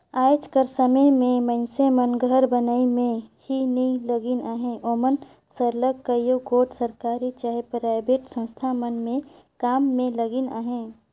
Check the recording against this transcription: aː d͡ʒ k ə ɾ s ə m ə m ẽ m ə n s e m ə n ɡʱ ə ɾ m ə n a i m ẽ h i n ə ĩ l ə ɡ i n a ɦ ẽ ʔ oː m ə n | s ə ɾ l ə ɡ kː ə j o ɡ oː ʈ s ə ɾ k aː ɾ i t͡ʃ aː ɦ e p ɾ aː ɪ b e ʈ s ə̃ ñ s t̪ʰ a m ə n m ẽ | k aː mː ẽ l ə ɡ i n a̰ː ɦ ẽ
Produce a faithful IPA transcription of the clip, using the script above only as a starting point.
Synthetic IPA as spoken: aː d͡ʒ k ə ɾ s ə m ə m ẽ m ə n s e m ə n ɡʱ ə ɾ b ə n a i m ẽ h i n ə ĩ l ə ɡ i n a ɦ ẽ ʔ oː m ə n | s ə ɾ l ə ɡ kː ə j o ɡ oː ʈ s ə ɾ k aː ɾ i t͡ʃ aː ɦ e p ɾ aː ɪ b e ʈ s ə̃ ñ s t̪ʰ a m ə n m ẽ | k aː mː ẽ l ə ɡ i n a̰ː ɦ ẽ